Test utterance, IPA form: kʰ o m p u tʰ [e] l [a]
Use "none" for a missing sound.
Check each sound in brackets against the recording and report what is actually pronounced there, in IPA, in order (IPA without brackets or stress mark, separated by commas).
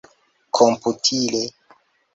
i, e